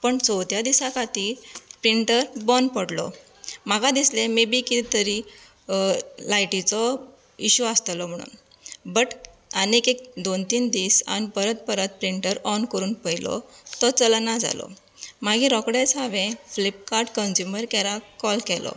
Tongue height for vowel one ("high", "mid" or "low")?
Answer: mid